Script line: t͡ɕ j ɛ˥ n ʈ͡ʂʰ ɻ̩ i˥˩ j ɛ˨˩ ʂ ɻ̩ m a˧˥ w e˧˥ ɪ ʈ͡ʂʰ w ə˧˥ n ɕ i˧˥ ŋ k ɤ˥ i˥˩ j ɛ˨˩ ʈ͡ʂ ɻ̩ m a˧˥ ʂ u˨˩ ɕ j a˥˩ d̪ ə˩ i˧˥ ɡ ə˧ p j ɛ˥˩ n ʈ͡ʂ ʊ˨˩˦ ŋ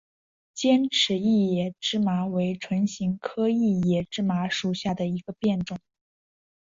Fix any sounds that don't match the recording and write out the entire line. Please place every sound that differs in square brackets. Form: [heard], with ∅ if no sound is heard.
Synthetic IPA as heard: t͡ɕ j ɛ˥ n ʈ͡ʂʰ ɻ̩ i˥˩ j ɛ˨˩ [ʈ͡ʂ] ɻ̩ m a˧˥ w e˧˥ ɪ ʈ͡ʂʰ w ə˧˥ n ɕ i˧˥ ŋ [kʰ] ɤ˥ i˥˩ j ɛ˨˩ ʈ͡ʂ ɻ̩ m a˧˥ ʂ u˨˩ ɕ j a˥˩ d̪ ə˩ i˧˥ ɡ ə˧ p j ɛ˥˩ n ʈ͡ʂ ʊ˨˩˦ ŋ